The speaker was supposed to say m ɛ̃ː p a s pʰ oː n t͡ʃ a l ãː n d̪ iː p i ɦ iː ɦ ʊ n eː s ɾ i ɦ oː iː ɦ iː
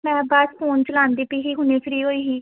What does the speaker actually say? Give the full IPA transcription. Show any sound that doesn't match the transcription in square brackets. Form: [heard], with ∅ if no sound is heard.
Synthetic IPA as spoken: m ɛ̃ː [b] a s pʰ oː n t͡ʃ [ə] l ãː n d̪ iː p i ɦ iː ɦ ʊ n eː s ɾ [iː] ɦ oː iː ɦ iː